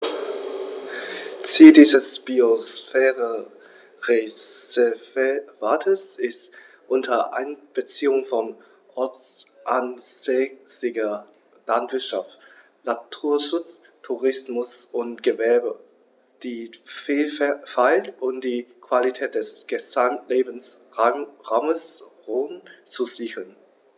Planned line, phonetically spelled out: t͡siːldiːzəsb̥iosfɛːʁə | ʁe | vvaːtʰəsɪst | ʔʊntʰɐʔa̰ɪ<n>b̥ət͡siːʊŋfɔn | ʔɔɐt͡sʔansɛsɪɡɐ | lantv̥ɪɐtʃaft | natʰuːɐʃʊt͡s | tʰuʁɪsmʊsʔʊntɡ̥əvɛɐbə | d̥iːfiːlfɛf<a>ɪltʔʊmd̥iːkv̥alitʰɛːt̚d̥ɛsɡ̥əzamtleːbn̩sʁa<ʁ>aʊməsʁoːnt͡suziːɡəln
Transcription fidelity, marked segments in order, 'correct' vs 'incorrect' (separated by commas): correct, correct, correct